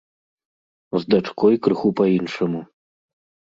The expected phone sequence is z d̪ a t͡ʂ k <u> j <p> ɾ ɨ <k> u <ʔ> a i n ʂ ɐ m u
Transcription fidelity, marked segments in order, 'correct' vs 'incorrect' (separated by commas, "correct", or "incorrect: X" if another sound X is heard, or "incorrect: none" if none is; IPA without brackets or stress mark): incorrect: ɔ, incorrect: k, incorrect: x, incorrect: p